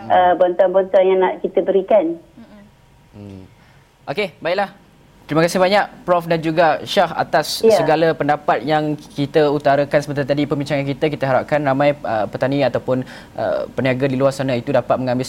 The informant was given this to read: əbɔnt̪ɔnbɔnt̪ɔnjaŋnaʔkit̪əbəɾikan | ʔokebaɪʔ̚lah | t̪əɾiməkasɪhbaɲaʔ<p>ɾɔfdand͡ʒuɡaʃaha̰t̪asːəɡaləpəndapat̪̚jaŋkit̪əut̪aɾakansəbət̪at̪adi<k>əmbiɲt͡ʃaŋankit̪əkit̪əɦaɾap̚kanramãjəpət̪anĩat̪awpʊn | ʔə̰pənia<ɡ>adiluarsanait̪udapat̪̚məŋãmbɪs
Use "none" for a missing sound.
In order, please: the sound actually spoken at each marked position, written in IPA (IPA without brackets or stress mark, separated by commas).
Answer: p, p, ɡ